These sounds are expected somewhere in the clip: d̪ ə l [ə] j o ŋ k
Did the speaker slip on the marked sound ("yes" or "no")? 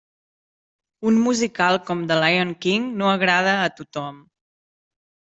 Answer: yes